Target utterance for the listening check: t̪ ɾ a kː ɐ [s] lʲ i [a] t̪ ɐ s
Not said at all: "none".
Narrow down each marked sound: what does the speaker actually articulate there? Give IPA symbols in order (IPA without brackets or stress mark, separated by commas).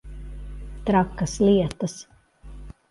s, ɛ